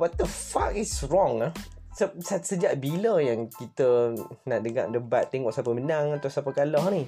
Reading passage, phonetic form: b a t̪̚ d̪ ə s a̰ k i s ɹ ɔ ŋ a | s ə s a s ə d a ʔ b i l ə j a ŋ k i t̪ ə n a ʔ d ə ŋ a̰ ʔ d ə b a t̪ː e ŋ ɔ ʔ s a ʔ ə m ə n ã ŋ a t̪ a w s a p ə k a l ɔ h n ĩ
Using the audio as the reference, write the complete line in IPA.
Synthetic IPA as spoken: b a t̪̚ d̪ ə f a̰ k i s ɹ ɔ ŋ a | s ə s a s ə d͡ʒ a ʔ b i l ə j a ŋ k i t̪ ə n a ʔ d ə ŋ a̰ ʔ d ə b a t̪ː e ŋ ɔ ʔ s a p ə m ə n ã ŋ a t̪ a w s a p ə k a l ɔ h n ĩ